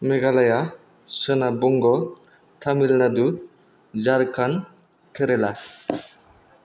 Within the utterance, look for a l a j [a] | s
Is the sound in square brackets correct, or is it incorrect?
correct